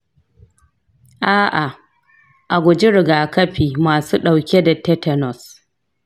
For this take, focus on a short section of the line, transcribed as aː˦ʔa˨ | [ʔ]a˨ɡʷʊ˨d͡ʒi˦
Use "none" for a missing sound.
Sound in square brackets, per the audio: ʔ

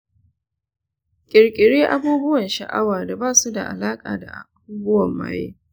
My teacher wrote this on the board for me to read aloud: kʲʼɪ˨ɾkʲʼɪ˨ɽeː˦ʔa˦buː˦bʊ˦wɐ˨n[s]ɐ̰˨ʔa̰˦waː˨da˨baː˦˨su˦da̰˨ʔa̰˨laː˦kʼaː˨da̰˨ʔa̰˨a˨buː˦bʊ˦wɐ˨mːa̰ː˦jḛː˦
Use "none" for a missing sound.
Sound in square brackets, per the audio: ʃ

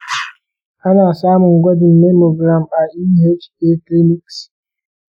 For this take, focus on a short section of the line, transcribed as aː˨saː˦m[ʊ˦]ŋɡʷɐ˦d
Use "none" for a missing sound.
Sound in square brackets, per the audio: ʊ˨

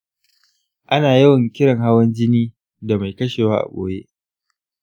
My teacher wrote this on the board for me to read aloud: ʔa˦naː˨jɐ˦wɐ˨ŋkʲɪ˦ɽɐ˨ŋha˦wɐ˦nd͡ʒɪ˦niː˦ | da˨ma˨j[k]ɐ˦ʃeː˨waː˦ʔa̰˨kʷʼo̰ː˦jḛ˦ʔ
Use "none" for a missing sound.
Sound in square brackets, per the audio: k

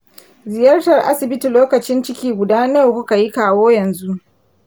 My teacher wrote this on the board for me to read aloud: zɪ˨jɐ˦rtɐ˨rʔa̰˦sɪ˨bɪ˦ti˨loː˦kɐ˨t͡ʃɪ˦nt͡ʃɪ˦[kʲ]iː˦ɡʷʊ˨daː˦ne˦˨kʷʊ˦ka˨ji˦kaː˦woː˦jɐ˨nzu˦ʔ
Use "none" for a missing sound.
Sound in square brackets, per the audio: kʲ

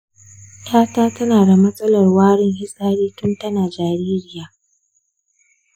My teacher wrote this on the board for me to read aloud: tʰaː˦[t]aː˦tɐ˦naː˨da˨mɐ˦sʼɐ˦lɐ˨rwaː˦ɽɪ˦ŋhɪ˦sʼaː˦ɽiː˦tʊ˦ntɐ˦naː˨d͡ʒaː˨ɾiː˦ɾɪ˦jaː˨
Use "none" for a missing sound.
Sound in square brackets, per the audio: t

